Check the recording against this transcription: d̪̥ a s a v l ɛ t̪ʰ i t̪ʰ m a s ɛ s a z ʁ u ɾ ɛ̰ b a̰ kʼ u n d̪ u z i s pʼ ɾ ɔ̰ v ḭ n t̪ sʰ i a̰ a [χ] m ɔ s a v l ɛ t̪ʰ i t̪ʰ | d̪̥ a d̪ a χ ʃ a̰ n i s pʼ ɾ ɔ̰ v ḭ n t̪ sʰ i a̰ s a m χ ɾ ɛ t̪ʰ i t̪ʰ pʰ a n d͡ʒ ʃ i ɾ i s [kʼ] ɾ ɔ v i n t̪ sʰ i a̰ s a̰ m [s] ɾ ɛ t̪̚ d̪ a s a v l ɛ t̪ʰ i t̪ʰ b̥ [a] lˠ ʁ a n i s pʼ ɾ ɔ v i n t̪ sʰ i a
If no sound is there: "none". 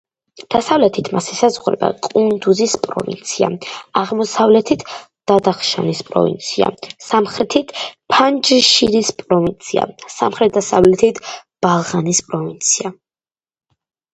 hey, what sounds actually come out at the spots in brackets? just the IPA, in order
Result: ʁ, pʼ, χ, a

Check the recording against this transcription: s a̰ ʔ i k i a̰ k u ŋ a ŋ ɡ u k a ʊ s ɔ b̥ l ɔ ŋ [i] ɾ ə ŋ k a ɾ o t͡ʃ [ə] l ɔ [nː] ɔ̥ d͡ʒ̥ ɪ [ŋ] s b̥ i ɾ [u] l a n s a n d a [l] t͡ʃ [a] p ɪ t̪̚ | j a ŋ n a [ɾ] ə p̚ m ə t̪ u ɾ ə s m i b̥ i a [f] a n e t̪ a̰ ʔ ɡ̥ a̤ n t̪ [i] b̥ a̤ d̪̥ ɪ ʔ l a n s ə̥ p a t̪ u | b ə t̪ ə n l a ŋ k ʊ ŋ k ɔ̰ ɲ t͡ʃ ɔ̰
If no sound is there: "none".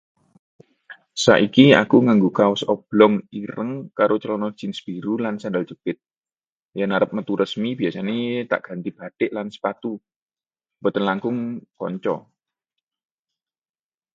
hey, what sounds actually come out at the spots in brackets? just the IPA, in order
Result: i, ə, n, n, u, l, ə, ɾ, s, i

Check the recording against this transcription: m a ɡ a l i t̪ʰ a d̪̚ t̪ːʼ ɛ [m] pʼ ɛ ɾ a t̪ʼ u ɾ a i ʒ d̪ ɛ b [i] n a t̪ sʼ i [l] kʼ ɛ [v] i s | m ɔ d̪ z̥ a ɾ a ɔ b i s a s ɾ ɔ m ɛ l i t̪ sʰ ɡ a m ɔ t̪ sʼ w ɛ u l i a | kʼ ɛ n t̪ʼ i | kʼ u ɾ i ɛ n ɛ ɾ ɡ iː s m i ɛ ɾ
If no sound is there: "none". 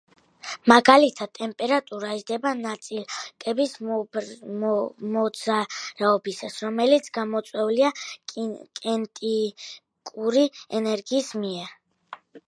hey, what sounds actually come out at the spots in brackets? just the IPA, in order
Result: m, a, l, b

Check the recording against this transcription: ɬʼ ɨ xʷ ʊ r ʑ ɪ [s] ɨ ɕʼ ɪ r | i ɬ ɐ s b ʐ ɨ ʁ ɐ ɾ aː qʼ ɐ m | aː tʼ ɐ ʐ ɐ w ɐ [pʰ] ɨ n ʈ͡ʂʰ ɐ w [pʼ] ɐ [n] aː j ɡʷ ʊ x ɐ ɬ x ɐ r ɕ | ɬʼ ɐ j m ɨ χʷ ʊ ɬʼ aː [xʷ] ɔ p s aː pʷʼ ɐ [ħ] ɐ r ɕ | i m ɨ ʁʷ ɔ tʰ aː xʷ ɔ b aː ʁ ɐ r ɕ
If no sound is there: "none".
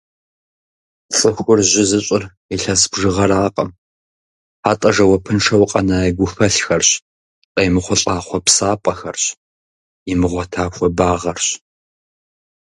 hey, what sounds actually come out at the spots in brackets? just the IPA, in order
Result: z, pʰ, qʼ, n, χʷ, x

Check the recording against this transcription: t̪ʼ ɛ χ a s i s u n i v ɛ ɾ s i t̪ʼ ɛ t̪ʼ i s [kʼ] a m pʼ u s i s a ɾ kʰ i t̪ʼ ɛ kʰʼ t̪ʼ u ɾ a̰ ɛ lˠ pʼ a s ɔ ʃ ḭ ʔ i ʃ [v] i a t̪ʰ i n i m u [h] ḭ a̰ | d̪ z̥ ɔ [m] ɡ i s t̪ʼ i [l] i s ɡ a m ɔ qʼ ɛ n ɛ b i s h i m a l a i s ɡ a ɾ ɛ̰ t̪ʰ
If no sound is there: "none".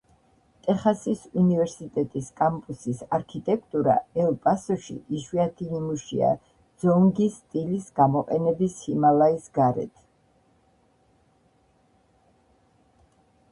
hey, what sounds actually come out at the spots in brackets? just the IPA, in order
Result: kʼ, w, ʃ, ŋ, l

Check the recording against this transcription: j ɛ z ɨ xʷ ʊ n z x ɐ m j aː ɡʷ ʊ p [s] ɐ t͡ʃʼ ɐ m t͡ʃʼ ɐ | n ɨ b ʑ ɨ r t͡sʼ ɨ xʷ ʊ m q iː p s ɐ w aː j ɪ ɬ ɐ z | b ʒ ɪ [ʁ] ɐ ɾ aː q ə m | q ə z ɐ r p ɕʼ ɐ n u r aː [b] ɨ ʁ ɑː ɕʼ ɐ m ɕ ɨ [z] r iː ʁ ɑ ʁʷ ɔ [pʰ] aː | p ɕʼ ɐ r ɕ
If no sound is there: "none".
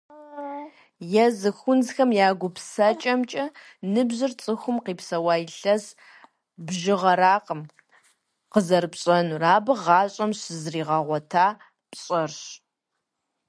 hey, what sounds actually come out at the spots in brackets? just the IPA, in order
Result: s, ʁ, b, z, tʰ

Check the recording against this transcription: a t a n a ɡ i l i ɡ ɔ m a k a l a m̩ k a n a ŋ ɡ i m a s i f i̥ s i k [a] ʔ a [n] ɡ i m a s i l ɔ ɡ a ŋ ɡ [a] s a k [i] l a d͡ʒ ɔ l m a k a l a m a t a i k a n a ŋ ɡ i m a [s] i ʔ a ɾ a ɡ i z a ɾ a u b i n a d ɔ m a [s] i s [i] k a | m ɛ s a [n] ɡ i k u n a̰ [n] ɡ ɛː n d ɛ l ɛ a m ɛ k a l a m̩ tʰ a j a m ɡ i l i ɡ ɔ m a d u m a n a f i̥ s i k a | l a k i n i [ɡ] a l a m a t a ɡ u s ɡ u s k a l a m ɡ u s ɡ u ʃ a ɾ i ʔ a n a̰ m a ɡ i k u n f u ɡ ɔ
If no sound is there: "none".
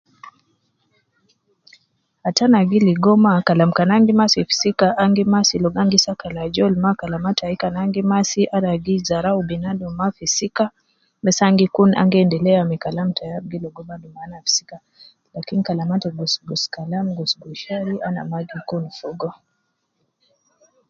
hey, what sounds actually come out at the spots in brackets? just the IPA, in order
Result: a, ŋ, i, a, s, f, i, ŋ, ŋ, k

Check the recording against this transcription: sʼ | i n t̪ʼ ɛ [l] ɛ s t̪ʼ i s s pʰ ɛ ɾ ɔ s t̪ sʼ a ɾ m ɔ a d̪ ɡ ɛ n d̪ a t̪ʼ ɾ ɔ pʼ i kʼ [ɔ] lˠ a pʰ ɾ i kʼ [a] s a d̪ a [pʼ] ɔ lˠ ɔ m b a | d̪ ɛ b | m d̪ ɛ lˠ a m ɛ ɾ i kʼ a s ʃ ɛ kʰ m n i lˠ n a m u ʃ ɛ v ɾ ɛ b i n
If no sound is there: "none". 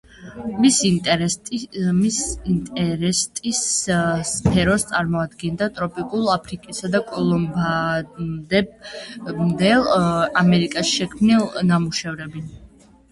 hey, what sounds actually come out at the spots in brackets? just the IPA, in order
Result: ɾ, u, i, kʼ

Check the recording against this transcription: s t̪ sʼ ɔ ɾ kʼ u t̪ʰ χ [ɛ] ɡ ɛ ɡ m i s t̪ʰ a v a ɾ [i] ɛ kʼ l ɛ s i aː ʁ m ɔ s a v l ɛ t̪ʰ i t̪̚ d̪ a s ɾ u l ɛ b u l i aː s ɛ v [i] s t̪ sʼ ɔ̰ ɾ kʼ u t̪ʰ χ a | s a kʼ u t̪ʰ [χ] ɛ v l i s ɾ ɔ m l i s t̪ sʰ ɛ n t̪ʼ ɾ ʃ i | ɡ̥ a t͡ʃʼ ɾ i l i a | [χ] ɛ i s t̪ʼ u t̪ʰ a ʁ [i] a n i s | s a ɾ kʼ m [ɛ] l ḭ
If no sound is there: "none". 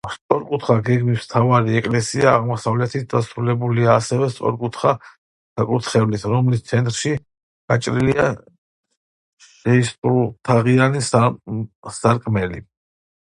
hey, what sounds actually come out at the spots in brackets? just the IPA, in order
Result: a, i, ɛ, χ, ʃ, i, ɛ

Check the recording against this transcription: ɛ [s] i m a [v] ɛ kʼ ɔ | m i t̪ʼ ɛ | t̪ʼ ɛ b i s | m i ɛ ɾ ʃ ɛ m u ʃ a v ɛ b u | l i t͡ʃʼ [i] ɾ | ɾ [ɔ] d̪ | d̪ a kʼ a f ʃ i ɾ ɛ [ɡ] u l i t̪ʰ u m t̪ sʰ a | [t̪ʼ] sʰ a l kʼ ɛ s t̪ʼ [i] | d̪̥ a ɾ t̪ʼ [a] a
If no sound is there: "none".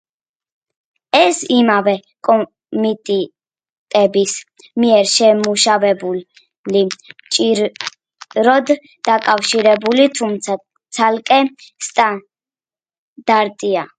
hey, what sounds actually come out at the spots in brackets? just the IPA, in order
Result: s, v, i, ɔ, b, t̪, a, i

